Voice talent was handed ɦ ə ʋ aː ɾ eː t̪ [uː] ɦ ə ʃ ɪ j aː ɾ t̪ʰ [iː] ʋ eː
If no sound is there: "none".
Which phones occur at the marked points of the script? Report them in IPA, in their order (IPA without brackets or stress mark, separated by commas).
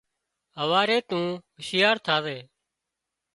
ũː, aː